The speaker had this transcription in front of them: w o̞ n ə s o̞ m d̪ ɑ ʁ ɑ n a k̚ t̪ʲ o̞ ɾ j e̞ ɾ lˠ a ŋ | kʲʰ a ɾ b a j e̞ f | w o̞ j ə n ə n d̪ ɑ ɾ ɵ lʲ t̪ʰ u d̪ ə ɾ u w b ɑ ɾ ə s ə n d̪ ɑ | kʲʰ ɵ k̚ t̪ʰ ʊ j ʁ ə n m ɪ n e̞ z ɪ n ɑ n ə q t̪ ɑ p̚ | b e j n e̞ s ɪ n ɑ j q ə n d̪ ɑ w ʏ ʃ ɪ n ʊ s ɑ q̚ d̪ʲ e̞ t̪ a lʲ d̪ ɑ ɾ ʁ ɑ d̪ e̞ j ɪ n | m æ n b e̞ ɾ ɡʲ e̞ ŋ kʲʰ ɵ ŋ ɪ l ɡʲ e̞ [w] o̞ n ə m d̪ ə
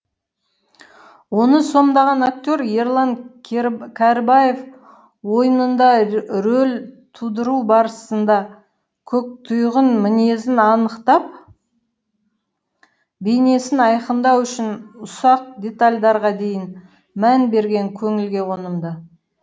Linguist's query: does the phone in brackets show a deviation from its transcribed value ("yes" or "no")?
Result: no